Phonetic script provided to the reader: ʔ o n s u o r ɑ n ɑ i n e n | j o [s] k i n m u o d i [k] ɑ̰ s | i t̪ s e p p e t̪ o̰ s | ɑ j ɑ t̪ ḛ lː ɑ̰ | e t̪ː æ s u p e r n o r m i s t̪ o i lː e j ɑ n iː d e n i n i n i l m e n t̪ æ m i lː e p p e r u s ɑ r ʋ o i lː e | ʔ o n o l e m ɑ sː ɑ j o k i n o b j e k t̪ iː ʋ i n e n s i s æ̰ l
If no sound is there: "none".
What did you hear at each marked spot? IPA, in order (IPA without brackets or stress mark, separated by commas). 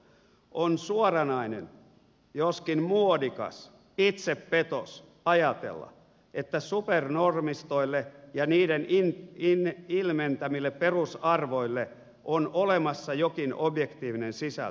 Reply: s, k